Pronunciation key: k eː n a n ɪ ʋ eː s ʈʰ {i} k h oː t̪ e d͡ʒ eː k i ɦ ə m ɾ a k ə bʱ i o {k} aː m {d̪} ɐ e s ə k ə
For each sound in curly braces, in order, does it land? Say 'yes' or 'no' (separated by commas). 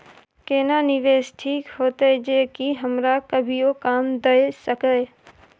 no, yes, yes